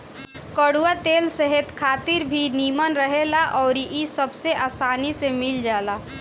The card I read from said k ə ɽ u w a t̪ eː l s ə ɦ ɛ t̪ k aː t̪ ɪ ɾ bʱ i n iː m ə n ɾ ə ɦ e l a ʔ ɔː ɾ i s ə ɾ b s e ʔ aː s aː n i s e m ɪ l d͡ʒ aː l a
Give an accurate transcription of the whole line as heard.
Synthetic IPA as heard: k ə ɽ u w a t̪ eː l s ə ɦ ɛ t̪ kʰ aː t̪ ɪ ɾ bʱ i n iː m ə n ɾ ə ɦ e l a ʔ ɔː ɾ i s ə b s e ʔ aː s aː n i s e m ɪ l d͡ʒ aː l a